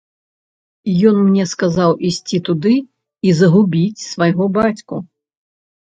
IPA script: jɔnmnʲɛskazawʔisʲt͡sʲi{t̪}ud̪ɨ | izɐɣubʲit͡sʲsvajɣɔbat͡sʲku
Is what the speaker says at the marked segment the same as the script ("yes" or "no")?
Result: yes